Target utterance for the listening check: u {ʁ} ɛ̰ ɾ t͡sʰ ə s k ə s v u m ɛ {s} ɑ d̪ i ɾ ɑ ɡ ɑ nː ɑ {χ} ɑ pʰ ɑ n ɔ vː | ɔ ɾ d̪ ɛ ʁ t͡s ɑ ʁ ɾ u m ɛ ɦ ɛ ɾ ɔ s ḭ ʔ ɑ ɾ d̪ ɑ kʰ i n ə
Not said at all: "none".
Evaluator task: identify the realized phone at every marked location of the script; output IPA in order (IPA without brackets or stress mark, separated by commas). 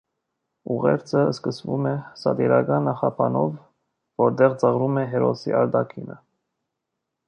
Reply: ʁ, s, χ